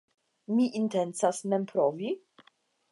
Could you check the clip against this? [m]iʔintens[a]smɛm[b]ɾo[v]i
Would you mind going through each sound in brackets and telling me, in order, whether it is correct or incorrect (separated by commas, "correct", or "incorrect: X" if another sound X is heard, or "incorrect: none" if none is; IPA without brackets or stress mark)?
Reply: correct, correct, incorrect: p, correct